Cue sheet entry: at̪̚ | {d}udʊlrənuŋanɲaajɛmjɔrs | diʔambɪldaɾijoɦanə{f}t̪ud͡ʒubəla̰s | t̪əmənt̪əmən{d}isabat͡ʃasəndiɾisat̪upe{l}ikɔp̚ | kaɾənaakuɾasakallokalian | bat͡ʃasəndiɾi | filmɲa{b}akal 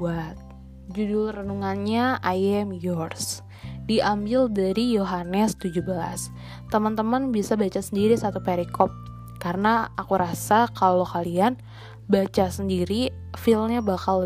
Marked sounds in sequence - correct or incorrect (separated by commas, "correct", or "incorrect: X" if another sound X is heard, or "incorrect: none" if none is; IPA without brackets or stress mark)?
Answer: incorrect: d͡ʒ, incorrect: s, incorrect: b, incorrect: ɾ, correct